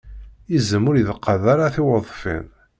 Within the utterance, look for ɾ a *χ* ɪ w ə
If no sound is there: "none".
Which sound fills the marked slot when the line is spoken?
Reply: θ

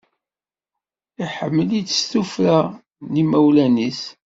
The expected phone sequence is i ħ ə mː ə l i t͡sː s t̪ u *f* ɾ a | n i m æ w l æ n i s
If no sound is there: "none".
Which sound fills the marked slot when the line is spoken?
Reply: f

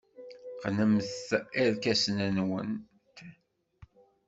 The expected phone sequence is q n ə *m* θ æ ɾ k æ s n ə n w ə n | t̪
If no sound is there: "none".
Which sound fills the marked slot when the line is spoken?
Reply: m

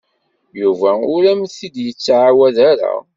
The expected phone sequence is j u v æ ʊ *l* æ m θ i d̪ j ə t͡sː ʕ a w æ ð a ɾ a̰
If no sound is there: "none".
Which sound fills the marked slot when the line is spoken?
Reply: ɾ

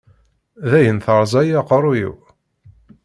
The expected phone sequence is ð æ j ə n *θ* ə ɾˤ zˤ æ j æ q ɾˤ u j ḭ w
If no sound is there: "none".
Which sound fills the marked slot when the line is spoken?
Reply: θ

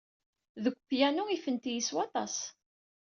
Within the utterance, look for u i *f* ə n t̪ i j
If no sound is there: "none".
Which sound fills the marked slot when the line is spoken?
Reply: f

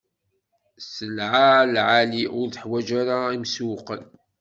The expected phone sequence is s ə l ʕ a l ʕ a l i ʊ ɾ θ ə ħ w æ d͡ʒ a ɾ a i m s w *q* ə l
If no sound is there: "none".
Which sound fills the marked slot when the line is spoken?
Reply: q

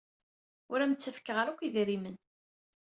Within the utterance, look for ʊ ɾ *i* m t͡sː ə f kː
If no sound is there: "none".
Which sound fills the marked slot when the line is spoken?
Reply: æ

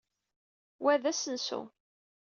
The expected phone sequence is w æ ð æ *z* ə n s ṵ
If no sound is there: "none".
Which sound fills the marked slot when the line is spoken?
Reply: s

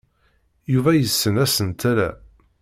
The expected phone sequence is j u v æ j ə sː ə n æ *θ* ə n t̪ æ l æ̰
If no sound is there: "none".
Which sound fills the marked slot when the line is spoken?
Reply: s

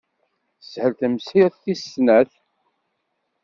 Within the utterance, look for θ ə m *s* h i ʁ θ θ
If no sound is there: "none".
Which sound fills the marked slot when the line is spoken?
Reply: s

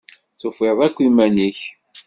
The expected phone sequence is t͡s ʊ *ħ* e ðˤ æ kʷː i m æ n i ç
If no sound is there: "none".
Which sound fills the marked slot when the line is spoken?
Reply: f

